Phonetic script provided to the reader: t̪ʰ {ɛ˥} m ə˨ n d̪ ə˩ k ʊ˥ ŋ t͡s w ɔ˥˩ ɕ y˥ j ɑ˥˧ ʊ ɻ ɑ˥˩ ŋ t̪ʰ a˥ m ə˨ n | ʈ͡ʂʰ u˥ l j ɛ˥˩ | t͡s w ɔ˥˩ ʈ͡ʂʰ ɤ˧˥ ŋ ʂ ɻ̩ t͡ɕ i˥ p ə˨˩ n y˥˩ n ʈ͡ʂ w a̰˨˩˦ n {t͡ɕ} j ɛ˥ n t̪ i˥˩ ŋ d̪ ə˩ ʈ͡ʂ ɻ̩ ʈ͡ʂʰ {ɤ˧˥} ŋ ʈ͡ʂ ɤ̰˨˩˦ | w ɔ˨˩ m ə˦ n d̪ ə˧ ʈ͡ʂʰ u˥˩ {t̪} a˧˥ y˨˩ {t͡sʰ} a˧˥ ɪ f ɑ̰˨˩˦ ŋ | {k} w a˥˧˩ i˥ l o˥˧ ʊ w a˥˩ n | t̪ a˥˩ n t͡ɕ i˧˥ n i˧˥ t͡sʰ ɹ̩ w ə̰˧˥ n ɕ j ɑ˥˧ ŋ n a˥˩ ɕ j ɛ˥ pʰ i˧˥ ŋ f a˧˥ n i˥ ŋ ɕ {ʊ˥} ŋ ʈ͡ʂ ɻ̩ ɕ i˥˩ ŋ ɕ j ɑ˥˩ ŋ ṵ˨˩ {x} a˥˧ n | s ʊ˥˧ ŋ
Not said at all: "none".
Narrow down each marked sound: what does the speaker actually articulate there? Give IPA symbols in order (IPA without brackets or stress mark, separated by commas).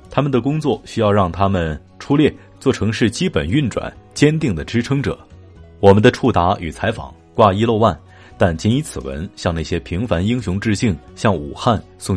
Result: a˥, t͡ɕ, ɤ˥, t̪, t͡sʰ, k, ʊ˧˥, x